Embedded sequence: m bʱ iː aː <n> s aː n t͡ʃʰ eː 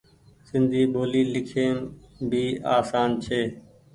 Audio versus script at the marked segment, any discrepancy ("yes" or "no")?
yes